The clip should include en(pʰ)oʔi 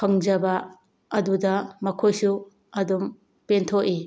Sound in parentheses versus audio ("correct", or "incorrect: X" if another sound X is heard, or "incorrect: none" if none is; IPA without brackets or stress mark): incorrect: tʰ